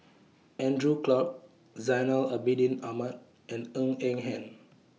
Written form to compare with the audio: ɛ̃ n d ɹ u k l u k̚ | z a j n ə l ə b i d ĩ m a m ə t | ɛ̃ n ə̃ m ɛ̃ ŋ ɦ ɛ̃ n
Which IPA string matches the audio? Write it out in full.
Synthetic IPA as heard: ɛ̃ n d ɹ u k l ɔ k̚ | z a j n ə l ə b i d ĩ n a m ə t | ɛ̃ n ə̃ ŋ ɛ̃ ŋ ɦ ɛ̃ n